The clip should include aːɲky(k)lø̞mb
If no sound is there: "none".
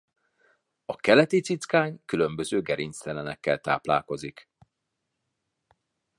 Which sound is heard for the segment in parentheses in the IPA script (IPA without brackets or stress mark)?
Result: none